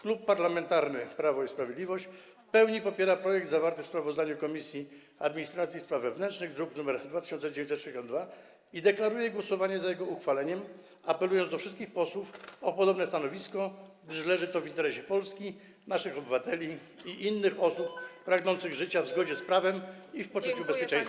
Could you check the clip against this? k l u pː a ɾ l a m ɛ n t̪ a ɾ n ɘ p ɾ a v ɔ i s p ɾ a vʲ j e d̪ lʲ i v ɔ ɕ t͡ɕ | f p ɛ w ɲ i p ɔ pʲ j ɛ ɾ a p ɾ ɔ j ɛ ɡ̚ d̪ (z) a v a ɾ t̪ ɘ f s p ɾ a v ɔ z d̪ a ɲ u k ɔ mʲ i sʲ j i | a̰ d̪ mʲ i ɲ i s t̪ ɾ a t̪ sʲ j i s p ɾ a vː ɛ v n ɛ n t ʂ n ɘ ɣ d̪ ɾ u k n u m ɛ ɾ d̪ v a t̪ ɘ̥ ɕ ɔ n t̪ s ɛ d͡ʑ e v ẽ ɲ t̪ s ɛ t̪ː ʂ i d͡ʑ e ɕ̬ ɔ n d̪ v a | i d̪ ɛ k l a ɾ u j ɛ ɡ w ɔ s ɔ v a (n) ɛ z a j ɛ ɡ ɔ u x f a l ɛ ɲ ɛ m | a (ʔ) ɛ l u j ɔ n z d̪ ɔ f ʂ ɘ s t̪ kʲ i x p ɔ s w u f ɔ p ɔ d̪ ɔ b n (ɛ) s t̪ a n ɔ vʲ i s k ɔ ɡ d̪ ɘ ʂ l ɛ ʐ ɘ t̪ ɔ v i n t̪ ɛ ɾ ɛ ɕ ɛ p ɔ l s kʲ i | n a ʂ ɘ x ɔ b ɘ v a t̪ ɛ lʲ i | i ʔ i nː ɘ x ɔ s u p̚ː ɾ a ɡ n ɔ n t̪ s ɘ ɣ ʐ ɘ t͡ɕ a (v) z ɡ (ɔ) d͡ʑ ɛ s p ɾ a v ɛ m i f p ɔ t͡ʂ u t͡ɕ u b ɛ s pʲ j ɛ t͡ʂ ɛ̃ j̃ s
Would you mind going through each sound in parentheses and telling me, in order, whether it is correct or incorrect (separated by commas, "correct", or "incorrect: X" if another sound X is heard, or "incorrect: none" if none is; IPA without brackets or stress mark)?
correct, incorrect: ɲ, incorrect: p, correct, correct, correct